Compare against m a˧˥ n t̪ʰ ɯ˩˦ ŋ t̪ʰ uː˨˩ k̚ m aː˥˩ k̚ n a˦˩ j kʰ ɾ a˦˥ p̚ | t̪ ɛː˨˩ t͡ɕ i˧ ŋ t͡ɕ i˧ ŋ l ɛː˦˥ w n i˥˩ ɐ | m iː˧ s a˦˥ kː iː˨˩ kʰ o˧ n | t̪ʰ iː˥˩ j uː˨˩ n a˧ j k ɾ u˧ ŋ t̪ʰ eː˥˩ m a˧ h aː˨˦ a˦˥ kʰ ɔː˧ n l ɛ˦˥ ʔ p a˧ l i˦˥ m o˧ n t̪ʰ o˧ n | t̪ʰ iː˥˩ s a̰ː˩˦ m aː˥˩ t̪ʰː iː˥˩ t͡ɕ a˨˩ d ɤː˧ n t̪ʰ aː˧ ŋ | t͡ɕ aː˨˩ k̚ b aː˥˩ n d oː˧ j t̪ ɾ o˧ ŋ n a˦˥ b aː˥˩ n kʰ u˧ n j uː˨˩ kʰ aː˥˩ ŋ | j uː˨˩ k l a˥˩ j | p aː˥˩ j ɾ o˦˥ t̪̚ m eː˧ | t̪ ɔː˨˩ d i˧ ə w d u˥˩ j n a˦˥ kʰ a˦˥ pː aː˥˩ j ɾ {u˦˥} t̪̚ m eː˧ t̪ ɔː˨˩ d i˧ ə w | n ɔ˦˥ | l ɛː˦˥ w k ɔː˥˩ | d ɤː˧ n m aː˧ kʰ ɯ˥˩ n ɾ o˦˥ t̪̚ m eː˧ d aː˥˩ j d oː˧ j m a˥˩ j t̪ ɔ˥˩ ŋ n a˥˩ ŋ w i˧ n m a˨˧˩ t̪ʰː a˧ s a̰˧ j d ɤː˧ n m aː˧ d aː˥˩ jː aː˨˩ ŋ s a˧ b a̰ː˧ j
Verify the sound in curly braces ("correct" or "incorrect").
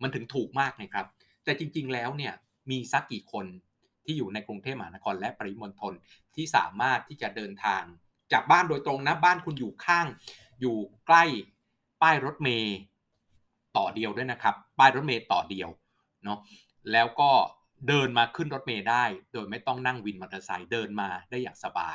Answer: incorrect